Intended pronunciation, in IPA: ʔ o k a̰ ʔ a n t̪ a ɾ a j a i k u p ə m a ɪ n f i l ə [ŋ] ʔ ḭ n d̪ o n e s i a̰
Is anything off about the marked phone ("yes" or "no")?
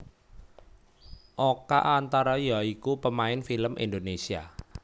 yes